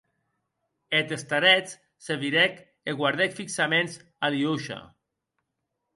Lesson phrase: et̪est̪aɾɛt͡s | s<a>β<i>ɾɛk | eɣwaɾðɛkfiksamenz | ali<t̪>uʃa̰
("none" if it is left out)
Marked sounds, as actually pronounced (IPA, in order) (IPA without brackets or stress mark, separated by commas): e, i, none